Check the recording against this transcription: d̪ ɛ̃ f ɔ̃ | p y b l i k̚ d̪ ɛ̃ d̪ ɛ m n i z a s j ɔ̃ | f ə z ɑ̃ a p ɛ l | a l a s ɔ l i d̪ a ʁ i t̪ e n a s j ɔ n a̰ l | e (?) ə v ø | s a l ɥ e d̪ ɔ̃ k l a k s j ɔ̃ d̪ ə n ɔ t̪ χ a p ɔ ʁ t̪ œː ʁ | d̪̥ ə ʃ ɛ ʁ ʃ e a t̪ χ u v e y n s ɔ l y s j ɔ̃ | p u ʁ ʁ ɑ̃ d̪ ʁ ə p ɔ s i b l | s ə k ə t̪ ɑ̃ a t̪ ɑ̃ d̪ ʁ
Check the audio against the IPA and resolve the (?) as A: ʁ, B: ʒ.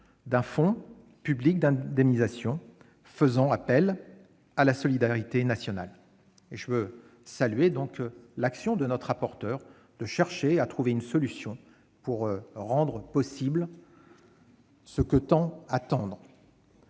B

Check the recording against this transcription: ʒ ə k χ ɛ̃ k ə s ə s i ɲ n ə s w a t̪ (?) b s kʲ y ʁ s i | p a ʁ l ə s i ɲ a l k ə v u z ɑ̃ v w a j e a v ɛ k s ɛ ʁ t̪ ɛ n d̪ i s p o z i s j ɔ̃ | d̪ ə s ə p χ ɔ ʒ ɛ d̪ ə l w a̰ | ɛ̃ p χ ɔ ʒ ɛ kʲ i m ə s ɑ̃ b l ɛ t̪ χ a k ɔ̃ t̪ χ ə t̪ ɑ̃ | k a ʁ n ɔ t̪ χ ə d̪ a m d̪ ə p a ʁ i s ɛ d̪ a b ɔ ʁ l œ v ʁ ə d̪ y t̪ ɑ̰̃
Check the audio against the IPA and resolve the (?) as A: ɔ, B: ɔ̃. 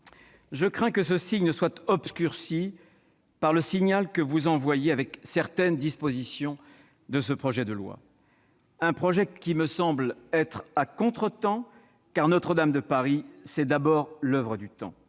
A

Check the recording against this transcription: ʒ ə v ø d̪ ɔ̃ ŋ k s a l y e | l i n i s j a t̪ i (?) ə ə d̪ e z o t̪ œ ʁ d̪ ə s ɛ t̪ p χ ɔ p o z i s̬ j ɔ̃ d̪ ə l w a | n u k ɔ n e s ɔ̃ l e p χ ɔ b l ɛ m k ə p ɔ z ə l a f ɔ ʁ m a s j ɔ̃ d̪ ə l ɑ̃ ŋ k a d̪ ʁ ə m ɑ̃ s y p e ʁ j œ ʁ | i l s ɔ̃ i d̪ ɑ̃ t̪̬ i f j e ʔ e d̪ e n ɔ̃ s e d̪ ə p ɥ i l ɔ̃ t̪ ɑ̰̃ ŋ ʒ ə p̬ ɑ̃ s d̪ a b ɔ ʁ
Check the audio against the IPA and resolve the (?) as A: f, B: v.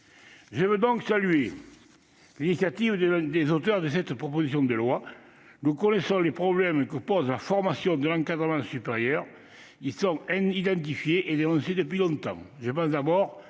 B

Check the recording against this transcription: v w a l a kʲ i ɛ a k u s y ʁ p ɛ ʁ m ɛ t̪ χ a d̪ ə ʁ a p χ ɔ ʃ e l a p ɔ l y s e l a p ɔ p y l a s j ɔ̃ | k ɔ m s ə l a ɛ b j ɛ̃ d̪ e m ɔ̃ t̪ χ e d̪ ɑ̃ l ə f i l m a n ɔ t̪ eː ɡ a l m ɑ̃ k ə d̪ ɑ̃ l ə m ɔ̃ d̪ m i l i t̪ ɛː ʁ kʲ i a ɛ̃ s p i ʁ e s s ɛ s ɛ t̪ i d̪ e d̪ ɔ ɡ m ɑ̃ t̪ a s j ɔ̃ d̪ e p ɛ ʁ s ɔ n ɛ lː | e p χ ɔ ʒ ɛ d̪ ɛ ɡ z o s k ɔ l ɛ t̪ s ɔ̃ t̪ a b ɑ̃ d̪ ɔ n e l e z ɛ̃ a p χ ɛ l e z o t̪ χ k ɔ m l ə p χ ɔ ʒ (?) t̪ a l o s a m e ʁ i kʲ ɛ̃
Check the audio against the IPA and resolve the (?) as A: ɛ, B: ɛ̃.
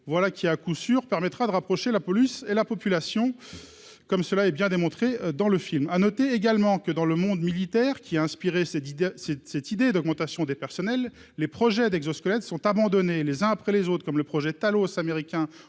A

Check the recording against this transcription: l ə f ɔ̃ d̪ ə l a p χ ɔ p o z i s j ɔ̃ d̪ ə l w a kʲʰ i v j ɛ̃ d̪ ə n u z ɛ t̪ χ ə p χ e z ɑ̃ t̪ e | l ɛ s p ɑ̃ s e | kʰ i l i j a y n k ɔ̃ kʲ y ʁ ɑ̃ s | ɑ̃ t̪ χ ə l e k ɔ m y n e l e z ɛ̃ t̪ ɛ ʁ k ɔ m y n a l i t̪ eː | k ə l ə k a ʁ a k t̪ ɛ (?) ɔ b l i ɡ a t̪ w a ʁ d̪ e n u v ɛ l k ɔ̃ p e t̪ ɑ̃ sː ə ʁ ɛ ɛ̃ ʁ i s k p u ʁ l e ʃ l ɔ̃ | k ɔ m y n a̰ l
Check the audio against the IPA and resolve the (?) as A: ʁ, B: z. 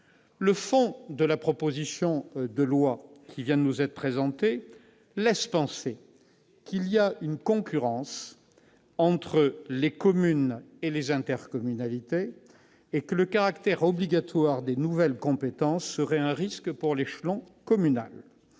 A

